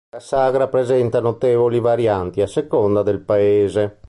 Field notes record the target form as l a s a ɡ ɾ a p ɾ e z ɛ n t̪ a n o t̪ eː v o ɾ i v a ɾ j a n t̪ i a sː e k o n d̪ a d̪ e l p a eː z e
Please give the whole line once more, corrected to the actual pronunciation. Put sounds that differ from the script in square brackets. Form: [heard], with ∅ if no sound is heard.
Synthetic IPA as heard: l a s a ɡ ɾ a p ɾ e z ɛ n t̪ a n o t̪ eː v o [l] i v a ɾ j a n t̪ i a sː e k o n d̪ a d̪ e l p a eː z e